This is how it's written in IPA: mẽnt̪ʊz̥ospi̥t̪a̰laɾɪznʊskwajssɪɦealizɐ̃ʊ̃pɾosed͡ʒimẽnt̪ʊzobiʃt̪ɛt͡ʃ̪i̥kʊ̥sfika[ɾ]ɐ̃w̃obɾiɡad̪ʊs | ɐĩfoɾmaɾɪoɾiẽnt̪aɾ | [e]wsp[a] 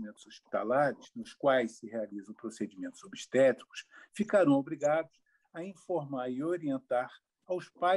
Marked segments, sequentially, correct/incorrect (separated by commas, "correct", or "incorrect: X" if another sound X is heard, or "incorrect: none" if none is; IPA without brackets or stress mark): correct, incorrect: a, correct